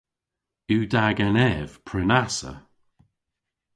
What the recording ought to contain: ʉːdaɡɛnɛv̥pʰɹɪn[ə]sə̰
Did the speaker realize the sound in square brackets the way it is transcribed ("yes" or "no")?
no